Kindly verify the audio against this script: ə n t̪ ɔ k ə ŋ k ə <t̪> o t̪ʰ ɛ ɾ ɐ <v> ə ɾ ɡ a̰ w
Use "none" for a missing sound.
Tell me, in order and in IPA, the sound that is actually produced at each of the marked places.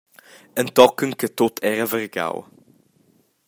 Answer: t̪, v

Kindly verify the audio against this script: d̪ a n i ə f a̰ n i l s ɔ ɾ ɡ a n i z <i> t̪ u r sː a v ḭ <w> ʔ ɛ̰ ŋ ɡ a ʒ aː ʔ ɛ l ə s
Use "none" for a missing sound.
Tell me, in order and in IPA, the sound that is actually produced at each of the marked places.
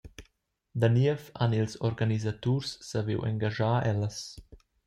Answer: a, w

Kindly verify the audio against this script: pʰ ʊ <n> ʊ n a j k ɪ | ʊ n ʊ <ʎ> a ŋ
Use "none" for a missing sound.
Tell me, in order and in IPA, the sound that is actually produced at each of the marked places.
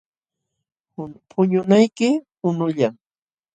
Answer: ɲ, ʎ

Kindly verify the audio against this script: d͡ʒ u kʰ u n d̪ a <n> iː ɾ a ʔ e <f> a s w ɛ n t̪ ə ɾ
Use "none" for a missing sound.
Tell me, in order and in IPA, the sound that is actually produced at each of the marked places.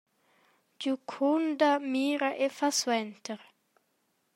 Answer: m, f

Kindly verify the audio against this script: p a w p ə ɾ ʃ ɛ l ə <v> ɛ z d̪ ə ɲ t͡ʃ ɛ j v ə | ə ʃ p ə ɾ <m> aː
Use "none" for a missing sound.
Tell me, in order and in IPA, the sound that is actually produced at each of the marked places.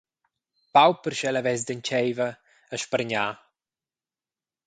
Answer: v, ɲ

